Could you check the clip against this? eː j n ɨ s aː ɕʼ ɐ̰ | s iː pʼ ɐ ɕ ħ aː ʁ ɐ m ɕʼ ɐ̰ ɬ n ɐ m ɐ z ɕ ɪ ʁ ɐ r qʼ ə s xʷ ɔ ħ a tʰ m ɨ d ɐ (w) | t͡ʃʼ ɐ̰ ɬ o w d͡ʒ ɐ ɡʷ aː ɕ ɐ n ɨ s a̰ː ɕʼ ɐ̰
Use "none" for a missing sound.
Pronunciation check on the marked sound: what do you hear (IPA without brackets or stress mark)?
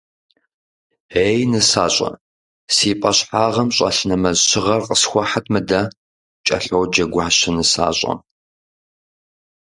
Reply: none